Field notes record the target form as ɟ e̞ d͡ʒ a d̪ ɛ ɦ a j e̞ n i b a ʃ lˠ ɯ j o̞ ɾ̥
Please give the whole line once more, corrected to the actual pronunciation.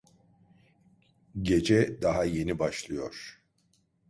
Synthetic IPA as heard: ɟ e̞ d͡ʒ ɛ d̪ a ɦ a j e̞ n i b a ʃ lˠ ɯ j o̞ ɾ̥